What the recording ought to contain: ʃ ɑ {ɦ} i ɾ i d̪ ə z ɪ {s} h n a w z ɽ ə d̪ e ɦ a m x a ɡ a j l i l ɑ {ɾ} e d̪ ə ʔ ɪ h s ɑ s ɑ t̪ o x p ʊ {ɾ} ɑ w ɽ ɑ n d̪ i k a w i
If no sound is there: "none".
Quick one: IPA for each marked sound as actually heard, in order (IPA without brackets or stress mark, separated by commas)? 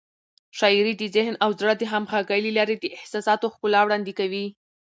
none, none, ɾ, l